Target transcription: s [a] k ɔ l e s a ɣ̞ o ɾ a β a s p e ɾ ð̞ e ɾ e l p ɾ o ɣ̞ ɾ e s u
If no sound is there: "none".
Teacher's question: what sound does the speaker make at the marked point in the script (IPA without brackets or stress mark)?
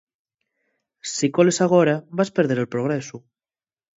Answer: i